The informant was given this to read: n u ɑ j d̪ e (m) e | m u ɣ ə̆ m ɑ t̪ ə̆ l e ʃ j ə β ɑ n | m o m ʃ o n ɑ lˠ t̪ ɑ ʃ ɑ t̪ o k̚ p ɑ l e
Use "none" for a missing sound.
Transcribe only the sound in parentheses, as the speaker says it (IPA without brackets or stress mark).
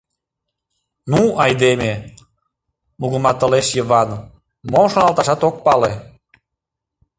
m